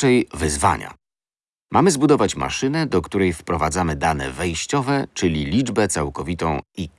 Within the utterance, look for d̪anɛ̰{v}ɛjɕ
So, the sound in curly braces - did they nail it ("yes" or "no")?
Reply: yes